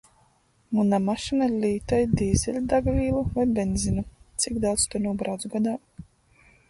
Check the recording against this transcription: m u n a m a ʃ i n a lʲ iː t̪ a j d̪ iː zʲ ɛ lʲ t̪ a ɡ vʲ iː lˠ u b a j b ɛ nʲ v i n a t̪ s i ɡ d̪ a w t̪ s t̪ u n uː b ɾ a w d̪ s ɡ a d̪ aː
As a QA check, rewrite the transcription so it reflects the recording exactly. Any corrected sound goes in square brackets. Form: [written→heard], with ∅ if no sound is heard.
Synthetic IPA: m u n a m a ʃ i n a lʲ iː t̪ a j d̪ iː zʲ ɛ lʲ [t̪→d̪] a ɡ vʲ iː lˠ u [b→v] a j b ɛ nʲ [v→z] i n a t̪ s i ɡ d̪ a w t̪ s t̪ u n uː b ɾ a w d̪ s ɡ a d̪ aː

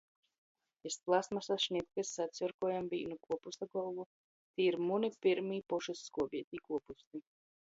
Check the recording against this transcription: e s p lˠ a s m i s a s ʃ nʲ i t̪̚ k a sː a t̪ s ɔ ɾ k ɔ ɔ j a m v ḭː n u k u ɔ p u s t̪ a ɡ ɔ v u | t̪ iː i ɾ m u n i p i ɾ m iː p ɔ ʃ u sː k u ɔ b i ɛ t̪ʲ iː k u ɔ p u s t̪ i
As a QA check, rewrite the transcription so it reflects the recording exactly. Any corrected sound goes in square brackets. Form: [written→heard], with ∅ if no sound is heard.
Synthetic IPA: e s p lˠ a s m [i→a] s a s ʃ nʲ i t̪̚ k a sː a t̪ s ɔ ɾ k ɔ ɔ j a m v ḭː n u k u ɔ p u s t̪ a ɡ ɔ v u | t̪ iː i ɾ m u n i p i ɾ m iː p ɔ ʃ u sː k u ɔ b i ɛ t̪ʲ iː k u ɔ p u s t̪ i

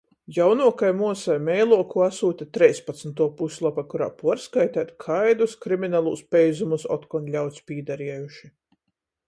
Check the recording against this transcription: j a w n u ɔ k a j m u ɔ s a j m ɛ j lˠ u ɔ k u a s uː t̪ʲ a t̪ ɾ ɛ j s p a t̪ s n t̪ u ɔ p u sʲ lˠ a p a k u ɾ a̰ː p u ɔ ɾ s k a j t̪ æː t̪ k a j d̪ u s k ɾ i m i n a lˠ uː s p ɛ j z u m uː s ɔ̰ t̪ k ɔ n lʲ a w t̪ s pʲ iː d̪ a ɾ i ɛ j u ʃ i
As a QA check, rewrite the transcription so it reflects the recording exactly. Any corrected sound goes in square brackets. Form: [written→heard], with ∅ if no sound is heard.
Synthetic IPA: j a w n u ɔ k a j m u ɔ s a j m ɛ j lˠ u ɔ k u a s uː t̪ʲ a t̪ ɾ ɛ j s p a t̪ s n t̪ u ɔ p u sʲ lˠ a p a k u ɾ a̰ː p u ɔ ɾ s k a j t̪ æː t̪ [k→kʰ] a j d̪ u s k ɾ i m i n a lˠ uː s p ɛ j z u m [uː→u] s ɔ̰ t̪ k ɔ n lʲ a w t̪ s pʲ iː d̪ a ɾ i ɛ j u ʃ i

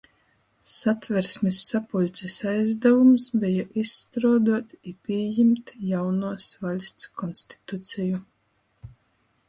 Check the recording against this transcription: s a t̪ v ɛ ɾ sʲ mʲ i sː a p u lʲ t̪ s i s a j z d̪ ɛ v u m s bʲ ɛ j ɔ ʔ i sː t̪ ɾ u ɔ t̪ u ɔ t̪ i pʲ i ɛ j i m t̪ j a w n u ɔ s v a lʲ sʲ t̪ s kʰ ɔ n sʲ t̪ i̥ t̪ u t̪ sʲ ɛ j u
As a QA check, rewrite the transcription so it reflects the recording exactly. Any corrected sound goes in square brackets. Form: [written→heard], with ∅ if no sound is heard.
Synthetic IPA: s a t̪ v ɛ ɾ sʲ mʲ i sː a p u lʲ t̪ s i s a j z d̪ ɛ v u m s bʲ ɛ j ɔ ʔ i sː t̪ ɾ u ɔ [t̪→d̪] u ɔ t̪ i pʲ i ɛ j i m t̪ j a w n u ɔ s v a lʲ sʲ t̪ s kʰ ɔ n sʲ t̪ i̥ t̪ u t̪ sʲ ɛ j u

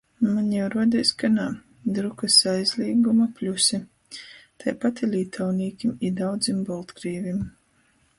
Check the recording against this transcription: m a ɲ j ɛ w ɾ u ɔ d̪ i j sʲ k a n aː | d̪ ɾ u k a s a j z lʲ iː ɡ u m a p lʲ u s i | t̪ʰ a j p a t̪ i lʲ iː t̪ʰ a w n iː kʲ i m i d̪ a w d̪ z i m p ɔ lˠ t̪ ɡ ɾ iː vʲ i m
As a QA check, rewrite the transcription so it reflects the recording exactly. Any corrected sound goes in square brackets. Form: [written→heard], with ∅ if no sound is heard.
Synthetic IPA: m a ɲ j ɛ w ɾ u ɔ d̪ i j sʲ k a n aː | d̪ ɾ u k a s a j z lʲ iː ɡ u m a p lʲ u s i | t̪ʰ a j p a t̪ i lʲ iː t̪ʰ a w n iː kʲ i m i d̪ a w d̪ z i m [p→b] ɔ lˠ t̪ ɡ ɾ iː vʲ i m

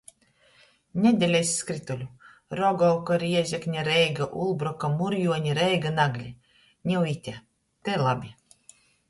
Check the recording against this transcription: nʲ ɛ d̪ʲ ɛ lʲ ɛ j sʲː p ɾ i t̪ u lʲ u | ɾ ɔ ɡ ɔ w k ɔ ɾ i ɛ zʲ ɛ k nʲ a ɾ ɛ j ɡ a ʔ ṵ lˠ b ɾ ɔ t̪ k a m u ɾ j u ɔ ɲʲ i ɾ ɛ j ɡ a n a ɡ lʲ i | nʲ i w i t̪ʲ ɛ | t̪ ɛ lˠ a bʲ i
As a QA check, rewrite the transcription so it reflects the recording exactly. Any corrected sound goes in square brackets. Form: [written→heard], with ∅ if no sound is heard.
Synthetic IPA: nʲ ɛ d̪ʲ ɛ lʲ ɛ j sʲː [p→k] ɾ i t̪ u lʲ u | ɾ ɔ ɡ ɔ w k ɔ ɾ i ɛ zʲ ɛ k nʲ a ɾ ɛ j ɡ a ʔ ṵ lˠ b ɾ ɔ [t̪→∅] k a m u ɾ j u ɔ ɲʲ i ɾ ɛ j ɡ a n a ɡ lʲ i | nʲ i w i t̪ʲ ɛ | t̪ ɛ lˠ a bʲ i

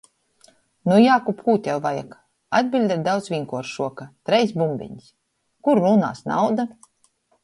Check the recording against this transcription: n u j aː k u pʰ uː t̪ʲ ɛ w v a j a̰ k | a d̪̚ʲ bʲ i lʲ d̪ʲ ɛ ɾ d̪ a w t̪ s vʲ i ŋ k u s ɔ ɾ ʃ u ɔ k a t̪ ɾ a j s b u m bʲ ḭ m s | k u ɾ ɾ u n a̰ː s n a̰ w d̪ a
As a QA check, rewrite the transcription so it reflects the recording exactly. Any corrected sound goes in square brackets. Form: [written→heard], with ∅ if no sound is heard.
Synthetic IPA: n u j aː k u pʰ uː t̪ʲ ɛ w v a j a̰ k | a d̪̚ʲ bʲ i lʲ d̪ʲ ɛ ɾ d̪ a w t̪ s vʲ i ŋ k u [s→∅] ɔ ɾ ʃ u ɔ k a t̪ ɾ [a→ɛ] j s b u m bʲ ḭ [m→ɲ] s | k u ɾ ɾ u n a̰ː s n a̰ w d̪ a

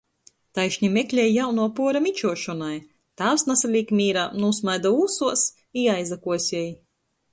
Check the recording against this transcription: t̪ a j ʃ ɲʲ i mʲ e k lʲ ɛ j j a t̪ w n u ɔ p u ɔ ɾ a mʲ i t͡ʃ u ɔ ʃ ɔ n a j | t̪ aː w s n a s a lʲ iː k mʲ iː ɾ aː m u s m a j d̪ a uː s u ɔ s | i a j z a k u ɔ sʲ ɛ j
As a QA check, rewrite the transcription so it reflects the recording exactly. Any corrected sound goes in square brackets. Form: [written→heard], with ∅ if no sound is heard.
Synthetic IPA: t̪ a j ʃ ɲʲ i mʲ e k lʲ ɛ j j a [t̪→∅] w n u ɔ p u ɔ ɾ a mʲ i t͡ʃ u ɔ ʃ ɔ n a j | t̪ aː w s n a s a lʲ iː k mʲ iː ɾ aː [m→n] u s m a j d̪ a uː s u ɔ s | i a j z a k u ɔ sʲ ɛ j

